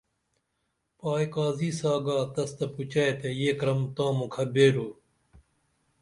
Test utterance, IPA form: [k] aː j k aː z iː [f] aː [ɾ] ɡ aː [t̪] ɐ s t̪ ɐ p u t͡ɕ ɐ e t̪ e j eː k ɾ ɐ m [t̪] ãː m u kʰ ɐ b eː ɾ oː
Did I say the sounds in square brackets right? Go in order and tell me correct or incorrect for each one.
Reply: incorrect: p, incorrect: s, incorrect: none, correct, correct

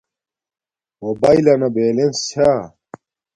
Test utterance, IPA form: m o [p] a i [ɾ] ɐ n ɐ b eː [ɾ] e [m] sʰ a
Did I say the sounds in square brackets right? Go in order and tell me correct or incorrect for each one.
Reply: incorrect: b, incorrect: l, incorrect: l, incorrect: n

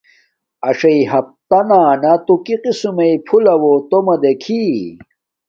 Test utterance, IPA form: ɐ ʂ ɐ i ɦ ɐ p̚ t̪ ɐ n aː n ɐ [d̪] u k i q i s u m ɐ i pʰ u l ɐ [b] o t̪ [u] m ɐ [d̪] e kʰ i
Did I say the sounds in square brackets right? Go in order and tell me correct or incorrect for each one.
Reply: incorrect: t̪, incorrect: w, incorrect: o, correct

